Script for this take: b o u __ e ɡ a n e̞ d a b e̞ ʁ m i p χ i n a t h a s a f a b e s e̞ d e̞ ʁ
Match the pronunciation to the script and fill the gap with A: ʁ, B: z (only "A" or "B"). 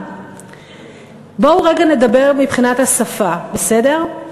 A